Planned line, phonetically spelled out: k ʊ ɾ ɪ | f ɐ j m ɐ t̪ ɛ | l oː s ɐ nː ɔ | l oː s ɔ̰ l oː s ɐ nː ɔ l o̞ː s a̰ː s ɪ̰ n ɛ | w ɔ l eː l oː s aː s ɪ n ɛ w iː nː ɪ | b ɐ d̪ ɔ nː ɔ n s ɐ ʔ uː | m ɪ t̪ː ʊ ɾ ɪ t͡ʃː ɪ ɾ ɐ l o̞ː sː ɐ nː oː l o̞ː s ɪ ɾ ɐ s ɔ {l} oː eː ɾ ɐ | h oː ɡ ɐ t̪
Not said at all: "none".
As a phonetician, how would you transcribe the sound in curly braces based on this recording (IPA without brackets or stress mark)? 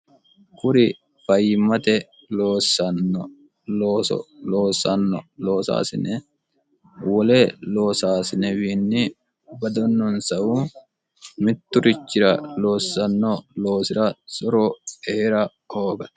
ɾ